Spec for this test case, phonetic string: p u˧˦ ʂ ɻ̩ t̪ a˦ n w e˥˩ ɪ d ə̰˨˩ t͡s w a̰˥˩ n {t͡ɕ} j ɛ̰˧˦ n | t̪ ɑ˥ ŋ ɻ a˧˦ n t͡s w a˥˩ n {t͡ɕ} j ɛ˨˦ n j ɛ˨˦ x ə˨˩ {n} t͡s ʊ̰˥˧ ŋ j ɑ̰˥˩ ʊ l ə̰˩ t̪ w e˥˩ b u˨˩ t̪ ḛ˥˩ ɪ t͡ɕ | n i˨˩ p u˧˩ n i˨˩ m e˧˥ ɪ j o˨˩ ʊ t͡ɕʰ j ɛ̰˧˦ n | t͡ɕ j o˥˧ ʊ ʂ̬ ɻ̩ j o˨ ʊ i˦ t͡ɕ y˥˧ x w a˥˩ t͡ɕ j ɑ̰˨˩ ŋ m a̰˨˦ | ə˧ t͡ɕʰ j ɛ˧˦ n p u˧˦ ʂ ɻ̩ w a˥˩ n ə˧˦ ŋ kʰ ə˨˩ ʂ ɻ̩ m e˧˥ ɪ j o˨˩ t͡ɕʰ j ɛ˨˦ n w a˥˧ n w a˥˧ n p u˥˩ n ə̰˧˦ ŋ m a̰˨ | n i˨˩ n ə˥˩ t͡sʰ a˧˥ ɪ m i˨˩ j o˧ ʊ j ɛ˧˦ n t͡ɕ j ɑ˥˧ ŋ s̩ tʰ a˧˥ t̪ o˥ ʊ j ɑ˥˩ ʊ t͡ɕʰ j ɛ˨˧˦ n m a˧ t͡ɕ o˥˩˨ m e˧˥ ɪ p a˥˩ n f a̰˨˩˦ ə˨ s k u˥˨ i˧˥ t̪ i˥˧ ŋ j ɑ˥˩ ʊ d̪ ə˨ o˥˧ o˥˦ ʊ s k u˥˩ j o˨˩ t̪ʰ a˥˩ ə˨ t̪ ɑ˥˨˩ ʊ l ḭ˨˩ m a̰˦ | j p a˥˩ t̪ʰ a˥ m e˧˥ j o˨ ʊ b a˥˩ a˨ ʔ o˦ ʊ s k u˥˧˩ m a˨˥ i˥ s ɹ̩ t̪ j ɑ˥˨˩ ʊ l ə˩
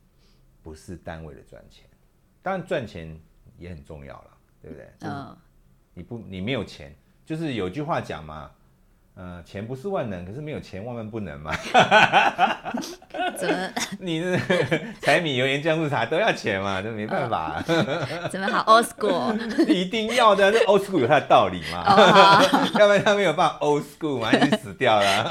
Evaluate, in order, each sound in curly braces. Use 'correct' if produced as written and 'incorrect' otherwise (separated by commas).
incorrect, incorrect, correct